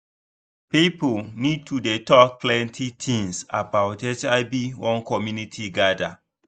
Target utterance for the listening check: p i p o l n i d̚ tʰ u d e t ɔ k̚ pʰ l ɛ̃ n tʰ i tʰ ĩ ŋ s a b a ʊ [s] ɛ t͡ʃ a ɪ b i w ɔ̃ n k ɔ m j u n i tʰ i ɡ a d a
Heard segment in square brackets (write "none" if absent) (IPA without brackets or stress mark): t